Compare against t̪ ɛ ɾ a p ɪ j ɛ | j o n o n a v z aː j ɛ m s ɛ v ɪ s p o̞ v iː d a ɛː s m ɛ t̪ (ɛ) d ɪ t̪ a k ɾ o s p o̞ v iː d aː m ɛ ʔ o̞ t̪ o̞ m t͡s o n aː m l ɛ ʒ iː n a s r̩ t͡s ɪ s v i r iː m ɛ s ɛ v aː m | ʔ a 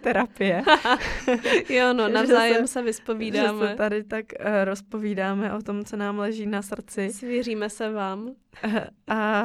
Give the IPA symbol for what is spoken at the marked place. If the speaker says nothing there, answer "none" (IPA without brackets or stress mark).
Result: a